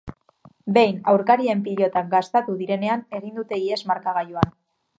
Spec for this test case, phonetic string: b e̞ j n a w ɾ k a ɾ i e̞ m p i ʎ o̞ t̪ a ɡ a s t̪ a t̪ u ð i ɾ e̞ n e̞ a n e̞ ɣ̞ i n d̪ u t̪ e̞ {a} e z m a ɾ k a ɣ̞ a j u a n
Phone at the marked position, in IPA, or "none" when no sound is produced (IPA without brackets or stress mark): i